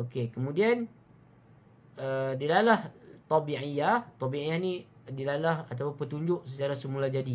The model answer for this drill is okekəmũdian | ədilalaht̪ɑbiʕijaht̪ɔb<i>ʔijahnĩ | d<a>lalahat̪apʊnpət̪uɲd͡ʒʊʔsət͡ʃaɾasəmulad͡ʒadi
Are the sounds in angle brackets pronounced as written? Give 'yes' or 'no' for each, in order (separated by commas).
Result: yes, no